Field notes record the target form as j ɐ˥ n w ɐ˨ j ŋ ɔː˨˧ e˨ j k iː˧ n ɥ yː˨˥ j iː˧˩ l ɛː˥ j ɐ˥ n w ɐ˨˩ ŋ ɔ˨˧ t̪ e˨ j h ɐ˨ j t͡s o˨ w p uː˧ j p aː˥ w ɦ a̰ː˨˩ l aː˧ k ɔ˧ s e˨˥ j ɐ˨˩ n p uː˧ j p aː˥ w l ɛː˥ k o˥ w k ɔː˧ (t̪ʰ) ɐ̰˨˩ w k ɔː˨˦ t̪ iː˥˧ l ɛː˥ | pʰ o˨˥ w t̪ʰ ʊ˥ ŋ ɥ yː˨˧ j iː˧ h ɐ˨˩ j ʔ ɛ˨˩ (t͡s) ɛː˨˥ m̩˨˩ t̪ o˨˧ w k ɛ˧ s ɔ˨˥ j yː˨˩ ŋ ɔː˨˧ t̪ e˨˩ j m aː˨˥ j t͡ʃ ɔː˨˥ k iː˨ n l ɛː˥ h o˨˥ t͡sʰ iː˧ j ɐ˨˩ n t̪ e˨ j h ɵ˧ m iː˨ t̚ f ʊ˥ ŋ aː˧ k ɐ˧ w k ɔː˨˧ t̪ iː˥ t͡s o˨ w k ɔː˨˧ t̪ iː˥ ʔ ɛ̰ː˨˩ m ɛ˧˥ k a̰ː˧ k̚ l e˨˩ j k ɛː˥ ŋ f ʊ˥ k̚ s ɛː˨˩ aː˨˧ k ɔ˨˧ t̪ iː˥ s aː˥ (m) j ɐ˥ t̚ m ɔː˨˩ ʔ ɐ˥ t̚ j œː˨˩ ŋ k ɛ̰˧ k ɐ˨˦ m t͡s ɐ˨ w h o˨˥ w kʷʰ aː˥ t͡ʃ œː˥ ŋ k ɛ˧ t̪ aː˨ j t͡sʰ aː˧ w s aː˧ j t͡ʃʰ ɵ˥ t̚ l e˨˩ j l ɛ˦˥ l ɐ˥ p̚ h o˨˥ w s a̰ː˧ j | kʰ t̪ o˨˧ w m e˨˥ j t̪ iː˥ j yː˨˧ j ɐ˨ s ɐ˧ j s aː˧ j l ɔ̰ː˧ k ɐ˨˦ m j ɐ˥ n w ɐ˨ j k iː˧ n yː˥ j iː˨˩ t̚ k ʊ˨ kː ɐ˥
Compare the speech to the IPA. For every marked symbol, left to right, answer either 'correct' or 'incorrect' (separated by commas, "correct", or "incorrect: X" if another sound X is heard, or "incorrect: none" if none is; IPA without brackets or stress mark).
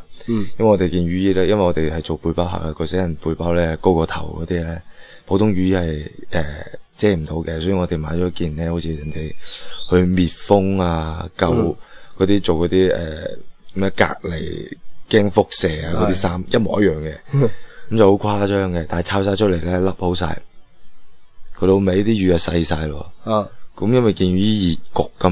correct, correct, correct